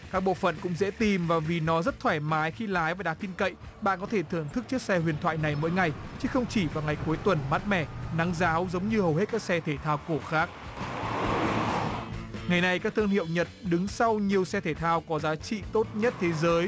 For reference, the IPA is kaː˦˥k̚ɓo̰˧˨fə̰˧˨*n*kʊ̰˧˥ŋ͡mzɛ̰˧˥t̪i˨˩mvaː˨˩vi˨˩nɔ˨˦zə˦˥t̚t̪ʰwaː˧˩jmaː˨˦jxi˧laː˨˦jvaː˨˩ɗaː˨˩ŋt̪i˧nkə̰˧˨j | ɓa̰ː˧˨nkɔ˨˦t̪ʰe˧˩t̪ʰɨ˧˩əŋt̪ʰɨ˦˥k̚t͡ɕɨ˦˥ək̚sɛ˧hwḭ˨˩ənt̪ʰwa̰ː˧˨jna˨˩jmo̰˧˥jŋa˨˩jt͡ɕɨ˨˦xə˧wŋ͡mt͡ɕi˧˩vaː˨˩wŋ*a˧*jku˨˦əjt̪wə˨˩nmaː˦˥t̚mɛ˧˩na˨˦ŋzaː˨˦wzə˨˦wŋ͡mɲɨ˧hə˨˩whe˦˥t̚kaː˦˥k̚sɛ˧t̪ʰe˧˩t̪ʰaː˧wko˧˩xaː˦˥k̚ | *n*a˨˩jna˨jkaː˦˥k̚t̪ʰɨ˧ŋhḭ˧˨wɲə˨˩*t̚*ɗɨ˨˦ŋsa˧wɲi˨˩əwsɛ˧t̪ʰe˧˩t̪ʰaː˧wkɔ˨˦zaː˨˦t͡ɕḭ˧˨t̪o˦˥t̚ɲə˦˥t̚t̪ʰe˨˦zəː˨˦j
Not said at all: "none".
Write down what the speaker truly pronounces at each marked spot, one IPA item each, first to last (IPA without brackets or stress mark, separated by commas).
n, a˨˩, ŋ, t̚